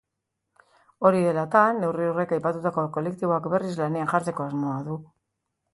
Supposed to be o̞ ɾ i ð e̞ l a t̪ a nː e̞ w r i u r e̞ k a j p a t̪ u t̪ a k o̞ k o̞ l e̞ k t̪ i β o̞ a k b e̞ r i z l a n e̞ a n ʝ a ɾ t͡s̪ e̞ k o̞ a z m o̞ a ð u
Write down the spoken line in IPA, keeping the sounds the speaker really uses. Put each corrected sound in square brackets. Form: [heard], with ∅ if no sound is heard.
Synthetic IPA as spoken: o̞ ɾ i ð e̞ l a t̪ a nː e̞ w r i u r e̞ k a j p a t̪ u t̪ a k o̞ k o̞ l e̞ k t̪ i β o̞ a k b e̞ r i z l a n e̞ a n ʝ a ɾ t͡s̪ e̞ k o̞ a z m o̞ a ð u